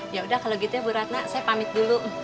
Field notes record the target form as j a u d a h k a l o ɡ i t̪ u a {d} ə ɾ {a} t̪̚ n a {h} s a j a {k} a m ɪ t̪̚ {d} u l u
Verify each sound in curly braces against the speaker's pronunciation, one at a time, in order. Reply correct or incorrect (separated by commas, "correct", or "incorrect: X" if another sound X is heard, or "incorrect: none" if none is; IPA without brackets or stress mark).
incorrect: b, correct, incorrect: none, incorrect: p, correct